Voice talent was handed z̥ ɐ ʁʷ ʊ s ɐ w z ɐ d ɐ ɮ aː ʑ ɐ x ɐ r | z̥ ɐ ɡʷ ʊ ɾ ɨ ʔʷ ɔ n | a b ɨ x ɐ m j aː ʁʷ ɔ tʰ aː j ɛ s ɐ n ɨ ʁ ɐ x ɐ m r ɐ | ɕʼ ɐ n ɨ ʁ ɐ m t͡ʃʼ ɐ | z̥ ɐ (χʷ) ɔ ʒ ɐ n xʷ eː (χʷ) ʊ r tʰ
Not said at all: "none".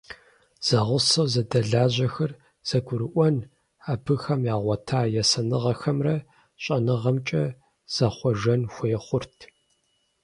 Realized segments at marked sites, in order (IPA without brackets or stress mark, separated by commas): χʷ, χʷ